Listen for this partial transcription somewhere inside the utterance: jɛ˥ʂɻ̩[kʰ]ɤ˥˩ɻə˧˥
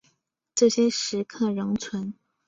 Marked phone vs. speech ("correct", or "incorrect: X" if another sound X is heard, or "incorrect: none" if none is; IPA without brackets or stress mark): correct